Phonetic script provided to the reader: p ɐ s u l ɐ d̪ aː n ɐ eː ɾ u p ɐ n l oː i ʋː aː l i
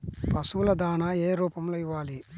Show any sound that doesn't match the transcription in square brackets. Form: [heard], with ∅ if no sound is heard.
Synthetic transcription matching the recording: p ɐ s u l ɐ d̪ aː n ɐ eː ɾ [uː] p ɐ [m] l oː i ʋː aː l i